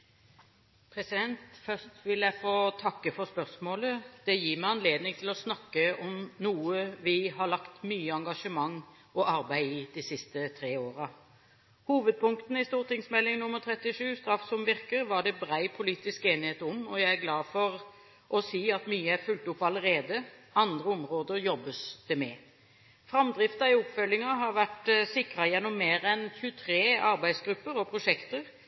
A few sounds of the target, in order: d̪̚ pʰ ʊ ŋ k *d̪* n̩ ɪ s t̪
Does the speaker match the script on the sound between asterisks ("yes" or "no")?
no